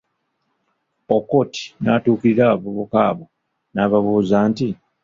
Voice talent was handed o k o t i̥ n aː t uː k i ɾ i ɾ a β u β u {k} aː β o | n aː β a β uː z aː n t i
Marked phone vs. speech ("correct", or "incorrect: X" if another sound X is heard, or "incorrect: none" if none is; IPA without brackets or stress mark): correct